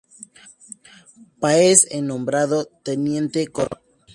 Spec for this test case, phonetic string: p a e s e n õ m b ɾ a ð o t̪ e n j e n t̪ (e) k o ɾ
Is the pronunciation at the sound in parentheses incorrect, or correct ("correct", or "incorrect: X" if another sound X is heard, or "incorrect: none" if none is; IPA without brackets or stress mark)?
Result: correct